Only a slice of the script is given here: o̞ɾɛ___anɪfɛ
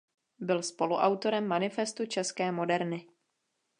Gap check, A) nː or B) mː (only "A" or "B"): B